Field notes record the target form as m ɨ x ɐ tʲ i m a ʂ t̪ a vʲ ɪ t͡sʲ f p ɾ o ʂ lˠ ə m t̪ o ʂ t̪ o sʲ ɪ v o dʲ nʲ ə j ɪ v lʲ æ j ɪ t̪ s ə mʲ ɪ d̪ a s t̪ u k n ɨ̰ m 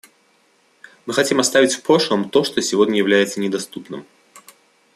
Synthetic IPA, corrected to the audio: m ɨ x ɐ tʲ i m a s t̪ a vʲ ɪ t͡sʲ f p ɾ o ʂ lˠ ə m t̪ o ʂ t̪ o sʲ ɪ v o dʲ nʲ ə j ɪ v lʲ æ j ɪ t̪ s ə nʲ ɪ d̪ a s t̪ u p n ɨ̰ m